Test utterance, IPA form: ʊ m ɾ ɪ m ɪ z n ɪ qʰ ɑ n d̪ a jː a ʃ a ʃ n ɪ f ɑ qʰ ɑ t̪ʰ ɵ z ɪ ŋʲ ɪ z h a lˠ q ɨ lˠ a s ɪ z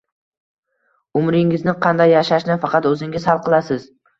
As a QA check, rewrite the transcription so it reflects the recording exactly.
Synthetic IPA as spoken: ʊ m ɾ ɪ ŋ ɪ z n ɪ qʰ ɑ n d̪ a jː a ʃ a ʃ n ɪ f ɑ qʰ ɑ t̪ ɵ z ɪ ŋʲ ɪ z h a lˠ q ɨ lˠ a s ɪ z